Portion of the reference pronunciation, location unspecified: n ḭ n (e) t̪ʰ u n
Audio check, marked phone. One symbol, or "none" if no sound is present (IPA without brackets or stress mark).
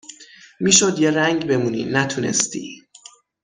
æ